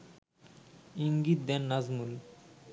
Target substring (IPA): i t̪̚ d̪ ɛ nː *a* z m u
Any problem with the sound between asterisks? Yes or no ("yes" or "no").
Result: no